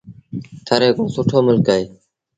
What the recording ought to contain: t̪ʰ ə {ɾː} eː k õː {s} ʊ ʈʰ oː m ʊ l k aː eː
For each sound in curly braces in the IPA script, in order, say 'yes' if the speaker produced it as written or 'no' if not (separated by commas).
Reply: no, yes